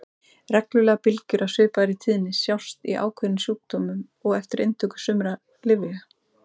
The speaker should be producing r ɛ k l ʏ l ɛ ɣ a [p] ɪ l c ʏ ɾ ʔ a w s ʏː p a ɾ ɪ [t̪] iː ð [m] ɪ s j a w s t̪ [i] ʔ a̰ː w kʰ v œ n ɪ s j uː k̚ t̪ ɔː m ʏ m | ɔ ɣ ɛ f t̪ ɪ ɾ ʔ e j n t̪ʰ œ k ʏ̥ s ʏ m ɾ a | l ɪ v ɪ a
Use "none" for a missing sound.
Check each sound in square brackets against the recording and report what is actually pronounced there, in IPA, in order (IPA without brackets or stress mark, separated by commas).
p, t̪ʰ, n, i